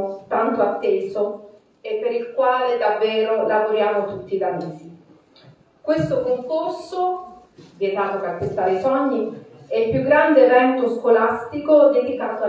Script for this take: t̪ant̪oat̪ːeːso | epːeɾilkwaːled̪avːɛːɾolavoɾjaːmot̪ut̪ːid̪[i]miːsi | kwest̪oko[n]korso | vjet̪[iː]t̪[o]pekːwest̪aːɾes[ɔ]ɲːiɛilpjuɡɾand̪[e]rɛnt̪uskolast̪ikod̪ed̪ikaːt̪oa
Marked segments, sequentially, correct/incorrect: incorrect, incorrect, incorrect, correct, correct, correct

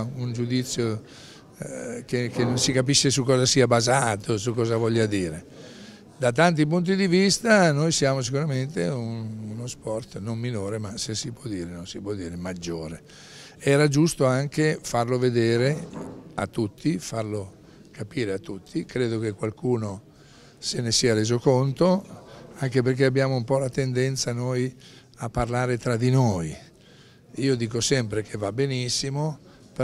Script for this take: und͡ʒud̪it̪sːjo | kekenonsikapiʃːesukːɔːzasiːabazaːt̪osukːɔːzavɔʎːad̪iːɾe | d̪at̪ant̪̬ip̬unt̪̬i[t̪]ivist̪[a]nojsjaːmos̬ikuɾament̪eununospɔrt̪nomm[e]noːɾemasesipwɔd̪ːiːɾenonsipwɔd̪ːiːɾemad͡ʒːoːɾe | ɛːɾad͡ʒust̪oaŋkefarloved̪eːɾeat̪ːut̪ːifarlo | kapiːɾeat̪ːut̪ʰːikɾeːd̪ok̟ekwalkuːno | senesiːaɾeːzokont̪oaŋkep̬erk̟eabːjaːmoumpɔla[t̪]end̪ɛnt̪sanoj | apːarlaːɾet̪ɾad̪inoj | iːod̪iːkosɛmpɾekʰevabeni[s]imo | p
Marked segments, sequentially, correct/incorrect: incorrect, correct, incorrect, correct, incorrect

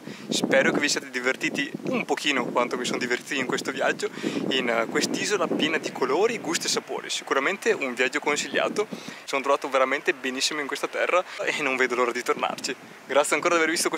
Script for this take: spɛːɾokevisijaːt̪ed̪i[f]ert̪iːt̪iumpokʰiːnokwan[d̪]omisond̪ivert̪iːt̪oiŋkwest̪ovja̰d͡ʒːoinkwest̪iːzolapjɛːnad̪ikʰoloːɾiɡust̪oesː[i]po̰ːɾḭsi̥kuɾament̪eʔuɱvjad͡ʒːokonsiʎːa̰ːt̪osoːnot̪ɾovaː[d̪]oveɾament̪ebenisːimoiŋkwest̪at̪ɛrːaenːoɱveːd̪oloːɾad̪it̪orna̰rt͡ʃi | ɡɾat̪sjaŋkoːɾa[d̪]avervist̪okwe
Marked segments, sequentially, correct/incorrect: incorrect, incorrect, incorrect, incorrect, correct

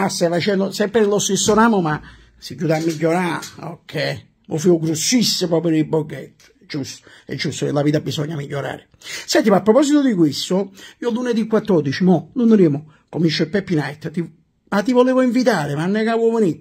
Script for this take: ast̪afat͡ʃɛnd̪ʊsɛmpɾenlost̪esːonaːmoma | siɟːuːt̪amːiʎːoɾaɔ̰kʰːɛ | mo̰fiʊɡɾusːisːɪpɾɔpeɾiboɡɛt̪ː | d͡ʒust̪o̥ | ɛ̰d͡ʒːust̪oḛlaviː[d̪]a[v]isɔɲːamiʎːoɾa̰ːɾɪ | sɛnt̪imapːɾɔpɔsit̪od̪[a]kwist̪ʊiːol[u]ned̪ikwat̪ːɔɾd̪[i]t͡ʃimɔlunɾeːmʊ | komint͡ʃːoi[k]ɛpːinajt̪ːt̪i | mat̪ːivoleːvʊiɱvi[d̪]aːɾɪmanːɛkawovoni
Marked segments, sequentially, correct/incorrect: incorrect, incorrect, incorrect, correct, correct, incorrect, incorrect

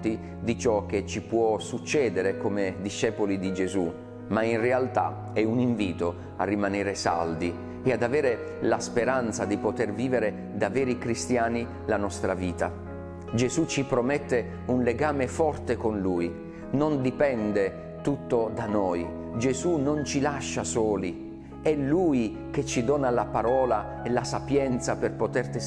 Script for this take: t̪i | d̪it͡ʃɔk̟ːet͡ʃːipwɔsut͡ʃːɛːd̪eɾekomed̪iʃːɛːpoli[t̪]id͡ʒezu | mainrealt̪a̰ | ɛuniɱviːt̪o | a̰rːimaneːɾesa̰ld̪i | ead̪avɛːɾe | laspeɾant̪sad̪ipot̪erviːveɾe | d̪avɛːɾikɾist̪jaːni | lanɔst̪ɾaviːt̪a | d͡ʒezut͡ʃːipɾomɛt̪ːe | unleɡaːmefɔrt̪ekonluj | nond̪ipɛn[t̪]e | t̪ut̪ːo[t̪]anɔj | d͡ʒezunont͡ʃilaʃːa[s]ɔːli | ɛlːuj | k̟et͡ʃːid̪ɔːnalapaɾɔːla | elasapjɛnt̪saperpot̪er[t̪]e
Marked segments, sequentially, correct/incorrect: incorrect, incorrect, incorrect, correct, correct

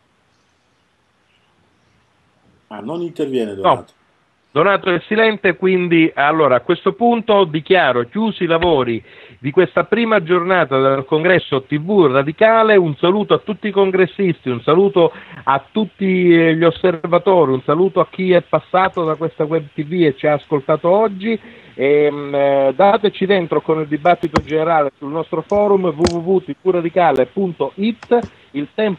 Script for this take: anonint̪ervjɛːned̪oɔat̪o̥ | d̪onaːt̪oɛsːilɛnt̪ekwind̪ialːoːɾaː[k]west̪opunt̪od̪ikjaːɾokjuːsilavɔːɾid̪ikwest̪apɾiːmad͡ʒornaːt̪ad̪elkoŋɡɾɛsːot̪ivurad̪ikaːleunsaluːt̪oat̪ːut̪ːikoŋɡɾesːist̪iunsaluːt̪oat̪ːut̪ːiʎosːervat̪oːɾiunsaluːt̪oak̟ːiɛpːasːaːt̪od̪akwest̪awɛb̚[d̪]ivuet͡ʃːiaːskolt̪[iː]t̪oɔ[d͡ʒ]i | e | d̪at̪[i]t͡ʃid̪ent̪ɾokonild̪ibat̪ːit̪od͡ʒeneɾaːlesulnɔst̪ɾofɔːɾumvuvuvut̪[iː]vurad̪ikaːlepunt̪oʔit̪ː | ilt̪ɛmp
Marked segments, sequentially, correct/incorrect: correct, incorrect, incorrect, incorrect, incorrect, incorrect

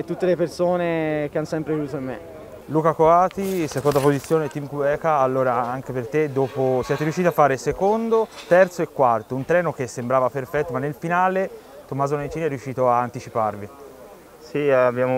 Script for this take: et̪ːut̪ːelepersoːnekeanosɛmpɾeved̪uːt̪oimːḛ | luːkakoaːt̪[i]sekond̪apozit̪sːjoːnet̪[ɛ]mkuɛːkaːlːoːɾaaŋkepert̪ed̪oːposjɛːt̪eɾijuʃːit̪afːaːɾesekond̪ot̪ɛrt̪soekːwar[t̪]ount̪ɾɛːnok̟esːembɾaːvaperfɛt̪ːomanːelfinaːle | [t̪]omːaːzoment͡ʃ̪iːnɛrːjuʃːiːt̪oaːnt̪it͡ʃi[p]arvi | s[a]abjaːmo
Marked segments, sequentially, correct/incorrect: correct, incorrect, correct, correct, correct, incorrect

